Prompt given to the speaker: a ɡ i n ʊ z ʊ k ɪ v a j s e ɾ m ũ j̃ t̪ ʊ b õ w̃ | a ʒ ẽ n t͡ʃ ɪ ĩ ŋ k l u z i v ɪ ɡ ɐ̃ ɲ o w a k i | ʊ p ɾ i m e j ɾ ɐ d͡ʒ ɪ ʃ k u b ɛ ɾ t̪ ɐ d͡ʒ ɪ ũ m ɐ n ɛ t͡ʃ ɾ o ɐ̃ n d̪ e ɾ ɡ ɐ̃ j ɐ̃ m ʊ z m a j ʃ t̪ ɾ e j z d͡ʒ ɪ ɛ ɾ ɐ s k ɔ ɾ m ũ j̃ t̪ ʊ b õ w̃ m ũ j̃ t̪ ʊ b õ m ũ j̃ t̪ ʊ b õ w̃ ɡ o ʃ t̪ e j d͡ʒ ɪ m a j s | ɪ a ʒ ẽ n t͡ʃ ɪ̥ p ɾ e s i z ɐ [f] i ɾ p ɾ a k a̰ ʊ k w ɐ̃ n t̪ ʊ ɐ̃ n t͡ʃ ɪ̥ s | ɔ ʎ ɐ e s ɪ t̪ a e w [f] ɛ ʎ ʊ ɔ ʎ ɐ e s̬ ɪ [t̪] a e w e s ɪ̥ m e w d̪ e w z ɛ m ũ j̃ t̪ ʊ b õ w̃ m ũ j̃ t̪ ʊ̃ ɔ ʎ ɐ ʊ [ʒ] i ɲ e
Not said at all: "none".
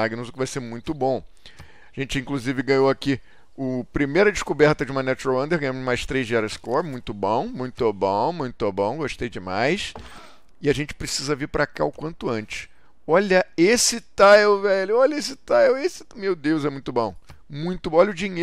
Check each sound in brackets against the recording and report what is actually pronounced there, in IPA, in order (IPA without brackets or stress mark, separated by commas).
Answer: v, v, t̪, d͡ʒ